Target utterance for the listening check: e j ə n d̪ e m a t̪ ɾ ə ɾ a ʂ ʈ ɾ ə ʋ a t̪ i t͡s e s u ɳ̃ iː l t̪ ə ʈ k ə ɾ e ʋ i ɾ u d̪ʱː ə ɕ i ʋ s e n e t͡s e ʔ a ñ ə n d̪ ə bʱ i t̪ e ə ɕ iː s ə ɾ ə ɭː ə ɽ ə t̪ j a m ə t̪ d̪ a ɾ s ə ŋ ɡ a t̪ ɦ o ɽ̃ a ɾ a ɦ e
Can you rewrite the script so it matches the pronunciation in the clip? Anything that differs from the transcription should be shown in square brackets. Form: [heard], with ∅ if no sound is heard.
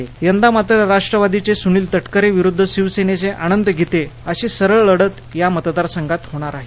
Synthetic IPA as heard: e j ə n d̪ [a] m a t̪ ɾ ə ɾ a ʂ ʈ ɾ ə ʋ a [d̪] i t͡s e s u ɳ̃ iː l t̪ ə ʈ k ə ɾ e ʋ i ɾ u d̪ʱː ə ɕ i ʋ s e n e t͡s e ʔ a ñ ə n d̪ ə [ɡʱ] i t̪ e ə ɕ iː s ə ɾ ə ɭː ə ɽ ə t̪ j a m ə t̪ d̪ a ɾ s ə ŋ ɡ a t̪ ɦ o ɽ̃ a ɾ a ɦ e